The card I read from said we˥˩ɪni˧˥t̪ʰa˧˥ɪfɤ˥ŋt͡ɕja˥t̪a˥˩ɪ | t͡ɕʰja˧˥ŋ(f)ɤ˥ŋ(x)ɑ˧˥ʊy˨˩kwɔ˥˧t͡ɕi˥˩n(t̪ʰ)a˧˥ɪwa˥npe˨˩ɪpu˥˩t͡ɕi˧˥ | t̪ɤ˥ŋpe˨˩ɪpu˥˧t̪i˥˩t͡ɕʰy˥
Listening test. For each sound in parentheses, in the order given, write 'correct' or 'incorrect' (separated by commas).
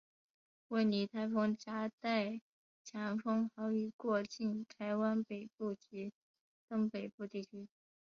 correct, correct, correct